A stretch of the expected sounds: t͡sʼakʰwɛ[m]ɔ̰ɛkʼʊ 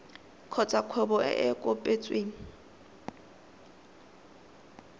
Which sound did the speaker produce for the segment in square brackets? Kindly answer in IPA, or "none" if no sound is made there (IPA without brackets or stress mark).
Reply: b